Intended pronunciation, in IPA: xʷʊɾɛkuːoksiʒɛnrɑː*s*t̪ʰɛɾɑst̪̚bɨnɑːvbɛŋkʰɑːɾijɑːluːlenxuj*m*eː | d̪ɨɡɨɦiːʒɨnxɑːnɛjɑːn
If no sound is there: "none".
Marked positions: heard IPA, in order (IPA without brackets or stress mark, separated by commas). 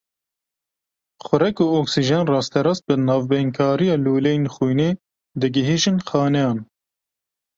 s, n